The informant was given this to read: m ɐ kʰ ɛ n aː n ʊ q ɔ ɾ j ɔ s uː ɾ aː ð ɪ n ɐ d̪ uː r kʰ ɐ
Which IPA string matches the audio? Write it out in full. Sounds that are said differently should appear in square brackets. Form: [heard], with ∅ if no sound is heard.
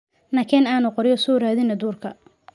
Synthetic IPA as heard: [n] ɐ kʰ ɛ n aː n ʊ q ɔ ɾ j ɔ s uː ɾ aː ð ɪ n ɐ d̪ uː r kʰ ɐ